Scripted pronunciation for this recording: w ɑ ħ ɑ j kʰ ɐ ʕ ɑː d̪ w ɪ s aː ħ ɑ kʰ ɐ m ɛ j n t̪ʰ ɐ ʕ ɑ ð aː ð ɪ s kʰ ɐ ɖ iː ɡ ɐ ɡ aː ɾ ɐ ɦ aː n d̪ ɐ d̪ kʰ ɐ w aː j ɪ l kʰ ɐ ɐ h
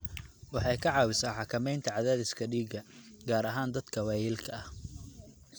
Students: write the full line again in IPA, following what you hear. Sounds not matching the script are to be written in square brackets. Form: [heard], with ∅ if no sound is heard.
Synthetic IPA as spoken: w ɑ ħ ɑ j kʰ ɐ ʕ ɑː [∅] w ɪ s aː ħ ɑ kʰ ɐ m ɛ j n t̪ʰ ɐ ʕ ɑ ð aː ð ɪ s kʰ ɐ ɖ iː ɡ ɐ ɡ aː ɾ ɐ ɦ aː n d̪ ɐ d̪ kʰ ɐ w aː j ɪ l kʰ ɐ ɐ h